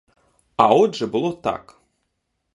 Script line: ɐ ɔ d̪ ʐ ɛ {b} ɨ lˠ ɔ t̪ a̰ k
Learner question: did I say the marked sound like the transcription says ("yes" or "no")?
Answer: yes